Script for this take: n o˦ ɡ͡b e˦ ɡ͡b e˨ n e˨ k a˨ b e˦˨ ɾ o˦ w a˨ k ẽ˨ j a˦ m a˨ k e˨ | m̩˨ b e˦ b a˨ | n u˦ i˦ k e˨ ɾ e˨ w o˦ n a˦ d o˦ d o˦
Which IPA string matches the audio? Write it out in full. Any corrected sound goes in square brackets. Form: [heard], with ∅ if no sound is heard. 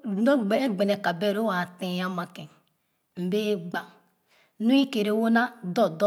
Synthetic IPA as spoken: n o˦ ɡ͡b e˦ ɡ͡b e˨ n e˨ k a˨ b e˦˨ ɾ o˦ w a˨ [t] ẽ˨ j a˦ m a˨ k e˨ | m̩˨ b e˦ [ɡ͡b] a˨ | n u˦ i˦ k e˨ ɾ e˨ w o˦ n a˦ d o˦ d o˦